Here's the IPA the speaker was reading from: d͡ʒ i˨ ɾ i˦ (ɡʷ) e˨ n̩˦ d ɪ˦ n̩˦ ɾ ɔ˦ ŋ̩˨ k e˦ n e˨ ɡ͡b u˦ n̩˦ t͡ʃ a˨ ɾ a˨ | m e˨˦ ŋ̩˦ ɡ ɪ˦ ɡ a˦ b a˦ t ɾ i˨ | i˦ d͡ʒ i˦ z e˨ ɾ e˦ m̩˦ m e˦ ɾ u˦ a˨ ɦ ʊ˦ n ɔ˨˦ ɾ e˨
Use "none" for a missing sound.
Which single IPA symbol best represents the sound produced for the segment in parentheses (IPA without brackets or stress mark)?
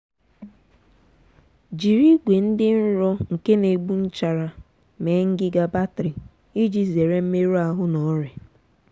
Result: ɡʷ